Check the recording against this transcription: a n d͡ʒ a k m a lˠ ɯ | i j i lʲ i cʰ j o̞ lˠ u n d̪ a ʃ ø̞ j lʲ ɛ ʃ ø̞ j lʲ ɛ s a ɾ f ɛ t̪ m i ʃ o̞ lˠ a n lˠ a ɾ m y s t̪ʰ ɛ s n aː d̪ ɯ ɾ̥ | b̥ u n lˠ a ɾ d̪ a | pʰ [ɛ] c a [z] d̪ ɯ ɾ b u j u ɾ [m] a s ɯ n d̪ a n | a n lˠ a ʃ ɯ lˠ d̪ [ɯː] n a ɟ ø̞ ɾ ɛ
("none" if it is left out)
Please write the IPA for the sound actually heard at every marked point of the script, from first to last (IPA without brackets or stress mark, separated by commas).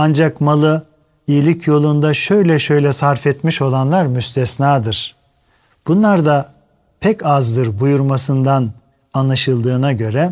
ɛ, z, m, ɯː